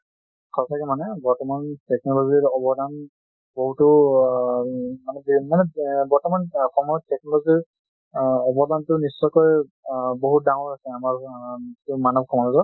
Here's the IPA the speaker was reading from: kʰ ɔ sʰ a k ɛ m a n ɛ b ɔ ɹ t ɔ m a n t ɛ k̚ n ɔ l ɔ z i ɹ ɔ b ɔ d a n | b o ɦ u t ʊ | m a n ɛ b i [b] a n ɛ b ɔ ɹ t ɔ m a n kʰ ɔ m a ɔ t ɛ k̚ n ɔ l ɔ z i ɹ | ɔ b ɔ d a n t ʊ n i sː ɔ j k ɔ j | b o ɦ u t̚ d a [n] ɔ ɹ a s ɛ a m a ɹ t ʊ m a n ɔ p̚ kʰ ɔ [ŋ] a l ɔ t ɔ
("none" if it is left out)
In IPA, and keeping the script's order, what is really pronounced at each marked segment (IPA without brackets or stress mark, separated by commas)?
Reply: m, ŋ, m